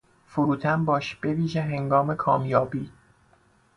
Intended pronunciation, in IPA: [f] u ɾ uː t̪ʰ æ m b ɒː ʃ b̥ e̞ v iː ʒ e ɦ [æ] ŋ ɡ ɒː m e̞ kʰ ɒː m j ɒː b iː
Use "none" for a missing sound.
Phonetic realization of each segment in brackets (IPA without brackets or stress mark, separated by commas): f, e